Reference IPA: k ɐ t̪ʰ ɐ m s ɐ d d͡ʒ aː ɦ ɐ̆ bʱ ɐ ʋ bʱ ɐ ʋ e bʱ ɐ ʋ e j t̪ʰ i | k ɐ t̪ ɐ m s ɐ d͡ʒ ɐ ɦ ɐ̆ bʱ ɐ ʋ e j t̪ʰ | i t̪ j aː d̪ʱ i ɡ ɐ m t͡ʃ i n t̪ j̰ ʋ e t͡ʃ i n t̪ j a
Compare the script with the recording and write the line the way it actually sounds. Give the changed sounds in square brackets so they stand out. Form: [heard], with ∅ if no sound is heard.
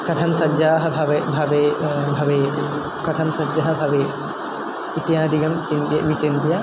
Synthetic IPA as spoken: k ɐ t̪ʰ ɐ m s ɐ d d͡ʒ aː ɦ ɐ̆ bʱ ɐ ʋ bʱ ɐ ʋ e bʱ ɐ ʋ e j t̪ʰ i | k ɐ [t̪ʰ] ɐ m s ɐ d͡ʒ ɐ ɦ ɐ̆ bʱ ɐ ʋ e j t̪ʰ | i t̪ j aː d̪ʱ i ɡ ɐ m t͡ʃ i n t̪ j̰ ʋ [i] t͡ʃ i n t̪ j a